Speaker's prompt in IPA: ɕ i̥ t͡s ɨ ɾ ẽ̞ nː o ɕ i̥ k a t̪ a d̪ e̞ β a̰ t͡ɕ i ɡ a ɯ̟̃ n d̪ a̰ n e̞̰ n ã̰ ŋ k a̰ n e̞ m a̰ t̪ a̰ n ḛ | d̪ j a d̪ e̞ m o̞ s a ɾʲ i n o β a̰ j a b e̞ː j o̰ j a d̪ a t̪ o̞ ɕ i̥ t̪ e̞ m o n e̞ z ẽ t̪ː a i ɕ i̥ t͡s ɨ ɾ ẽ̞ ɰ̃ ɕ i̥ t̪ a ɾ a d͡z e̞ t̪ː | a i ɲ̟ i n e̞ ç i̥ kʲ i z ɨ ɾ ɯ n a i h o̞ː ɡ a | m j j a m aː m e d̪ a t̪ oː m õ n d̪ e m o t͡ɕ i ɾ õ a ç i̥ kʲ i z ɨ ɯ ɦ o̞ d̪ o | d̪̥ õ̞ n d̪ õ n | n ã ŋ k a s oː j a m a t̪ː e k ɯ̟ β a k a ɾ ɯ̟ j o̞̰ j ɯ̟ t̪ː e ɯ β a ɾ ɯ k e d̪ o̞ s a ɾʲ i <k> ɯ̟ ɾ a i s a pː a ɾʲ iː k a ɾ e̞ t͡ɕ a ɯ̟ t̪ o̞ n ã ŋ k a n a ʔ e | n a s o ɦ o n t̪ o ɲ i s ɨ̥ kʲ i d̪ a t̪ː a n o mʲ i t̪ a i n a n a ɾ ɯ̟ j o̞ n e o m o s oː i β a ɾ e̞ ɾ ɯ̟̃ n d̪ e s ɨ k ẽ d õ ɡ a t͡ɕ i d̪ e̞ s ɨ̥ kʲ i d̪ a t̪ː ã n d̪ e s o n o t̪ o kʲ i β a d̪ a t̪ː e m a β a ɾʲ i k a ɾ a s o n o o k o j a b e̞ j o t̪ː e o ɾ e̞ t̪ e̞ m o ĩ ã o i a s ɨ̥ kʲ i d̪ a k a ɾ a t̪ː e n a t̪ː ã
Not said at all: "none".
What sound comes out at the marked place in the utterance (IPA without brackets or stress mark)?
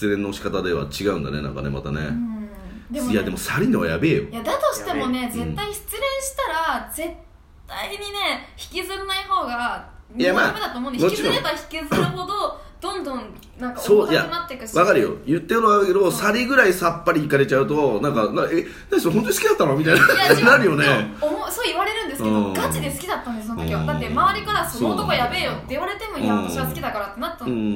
ɡ